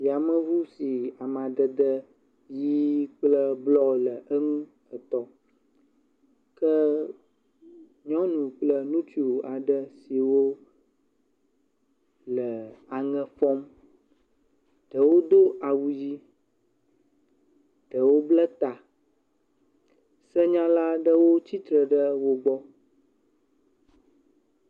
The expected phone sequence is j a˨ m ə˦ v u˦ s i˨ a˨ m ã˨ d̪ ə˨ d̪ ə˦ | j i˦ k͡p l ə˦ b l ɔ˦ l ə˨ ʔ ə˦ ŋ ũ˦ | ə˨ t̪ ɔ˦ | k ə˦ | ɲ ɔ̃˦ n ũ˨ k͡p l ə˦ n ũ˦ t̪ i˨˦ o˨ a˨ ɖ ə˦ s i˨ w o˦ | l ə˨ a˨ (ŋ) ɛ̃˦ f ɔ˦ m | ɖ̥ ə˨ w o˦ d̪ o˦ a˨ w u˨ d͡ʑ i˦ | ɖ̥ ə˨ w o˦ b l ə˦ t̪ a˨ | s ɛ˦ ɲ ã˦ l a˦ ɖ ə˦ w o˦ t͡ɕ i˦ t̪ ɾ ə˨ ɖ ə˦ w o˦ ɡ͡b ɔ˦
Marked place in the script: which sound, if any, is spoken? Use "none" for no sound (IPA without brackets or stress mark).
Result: ŋ